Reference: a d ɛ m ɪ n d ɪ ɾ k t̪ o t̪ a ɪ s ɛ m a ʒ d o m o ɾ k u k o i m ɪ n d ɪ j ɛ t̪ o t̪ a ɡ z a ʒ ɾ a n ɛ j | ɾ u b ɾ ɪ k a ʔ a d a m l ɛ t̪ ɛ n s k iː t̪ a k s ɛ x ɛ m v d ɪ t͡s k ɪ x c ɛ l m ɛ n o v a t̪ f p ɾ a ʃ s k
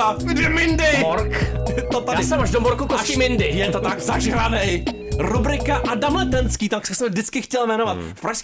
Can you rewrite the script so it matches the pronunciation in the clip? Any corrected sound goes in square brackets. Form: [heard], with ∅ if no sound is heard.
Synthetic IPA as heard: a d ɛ m ɪ n d ɪ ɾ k t̪ o t̪ a ɪ s ɛ m a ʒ d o m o ɾ k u k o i m ɪ n d ɪ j ɛ t̪ o t̪ a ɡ z a ʒ ɾ a n ɛ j | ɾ u b ɾ ɪ k a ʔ a d a m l ɛ t̪ ɛ n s k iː t̪ a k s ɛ [s] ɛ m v d ɪ t͡s k ɪ x c ɛ l m ɛ n o v a t̪ f p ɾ a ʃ s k